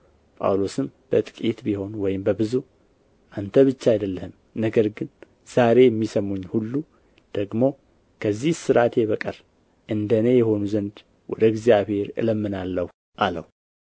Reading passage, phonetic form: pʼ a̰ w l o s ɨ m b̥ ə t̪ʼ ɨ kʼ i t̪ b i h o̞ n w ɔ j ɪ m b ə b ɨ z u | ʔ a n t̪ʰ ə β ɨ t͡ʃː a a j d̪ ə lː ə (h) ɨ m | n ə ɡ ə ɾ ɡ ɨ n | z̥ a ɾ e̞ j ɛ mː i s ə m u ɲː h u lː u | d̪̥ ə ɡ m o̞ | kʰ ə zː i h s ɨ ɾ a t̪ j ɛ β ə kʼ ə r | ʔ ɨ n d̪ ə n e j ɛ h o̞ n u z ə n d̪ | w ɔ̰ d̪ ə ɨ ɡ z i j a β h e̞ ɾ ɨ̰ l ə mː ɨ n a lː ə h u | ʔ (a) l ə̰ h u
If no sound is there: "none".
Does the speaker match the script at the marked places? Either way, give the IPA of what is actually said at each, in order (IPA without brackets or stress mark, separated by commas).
h, a